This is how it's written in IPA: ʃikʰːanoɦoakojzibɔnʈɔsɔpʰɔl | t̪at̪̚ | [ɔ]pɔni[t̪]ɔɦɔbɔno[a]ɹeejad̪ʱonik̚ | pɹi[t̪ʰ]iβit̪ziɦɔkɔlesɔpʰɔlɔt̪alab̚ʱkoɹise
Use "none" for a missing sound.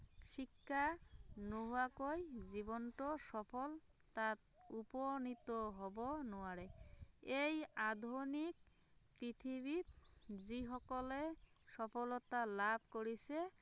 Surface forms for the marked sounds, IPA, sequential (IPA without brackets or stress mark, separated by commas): u, t̪, a, t̪ʰ